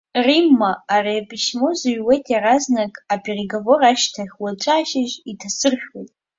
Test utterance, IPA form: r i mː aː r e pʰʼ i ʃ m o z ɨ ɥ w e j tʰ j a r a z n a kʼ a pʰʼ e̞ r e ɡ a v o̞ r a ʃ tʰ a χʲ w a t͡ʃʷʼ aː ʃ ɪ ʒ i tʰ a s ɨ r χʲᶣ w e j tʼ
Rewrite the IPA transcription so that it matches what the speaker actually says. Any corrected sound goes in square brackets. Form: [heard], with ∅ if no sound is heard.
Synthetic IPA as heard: r i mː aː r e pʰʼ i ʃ m o z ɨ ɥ w e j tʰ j a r a z n a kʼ a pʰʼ e̞ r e ɡ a v o̞ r a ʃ tʰ a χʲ w a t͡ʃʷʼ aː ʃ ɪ ʒ i tʰ a s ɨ r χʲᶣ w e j tʼ

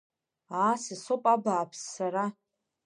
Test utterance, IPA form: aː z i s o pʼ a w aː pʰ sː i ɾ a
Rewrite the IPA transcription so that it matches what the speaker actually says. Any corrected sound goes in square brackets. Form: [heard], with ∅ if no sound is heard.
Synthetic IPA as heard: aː [s] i s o pʼ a [b] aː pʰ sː [a] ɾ a

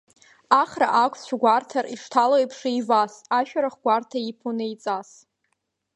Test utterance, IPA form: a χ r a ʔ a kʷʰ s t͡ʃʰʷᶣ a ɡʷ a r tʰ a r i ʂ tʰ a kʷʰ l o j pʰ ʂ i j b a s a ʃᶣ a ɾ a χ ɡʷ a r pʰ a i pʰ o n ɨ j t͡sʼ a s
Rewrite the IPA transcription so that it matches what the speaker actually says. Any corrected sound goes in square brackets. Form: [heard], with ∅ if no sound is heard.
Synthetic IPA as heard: a χ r a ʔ a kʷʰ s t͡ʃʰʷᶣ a ɡʷ a r tʰ a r i ʂ tʰ a [∅] l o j pʰ ʂ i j [v] a s a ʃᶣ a ɾ a χ ɡʷ a r [tʰ] a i pʰ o n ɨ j t͡sʼ a s

